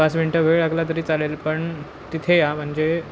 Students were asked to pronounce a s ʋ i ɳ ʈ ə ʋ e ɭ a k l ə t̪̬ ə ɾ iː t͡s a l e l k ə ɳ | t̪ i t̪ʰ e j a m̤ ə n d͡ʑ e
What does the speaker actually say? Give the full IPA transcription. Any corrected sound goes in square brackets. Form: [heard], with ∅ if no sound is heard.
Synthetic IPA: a s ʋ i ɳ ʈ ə ʋ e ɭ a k l [a] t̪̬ ə ɾ iː t͡s a l e l [p] ə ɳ | t̪ i t̪ʰ e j a m̤ ə [ɳ] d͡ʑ e